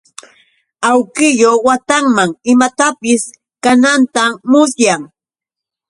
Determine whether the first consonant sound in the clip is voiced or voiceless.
voiced